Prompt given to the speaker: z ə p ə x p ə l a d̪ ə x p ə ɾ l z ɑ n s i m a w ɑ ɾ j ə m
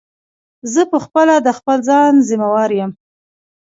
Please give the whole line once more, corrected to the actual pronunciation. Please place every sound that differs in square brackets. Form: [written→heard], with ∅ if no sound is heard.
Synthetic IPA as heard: z ə p ə x p ə l a d̪ ə x p ə [ɾ→∅] l z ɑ n [s→z] i m a w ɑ ɾ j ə m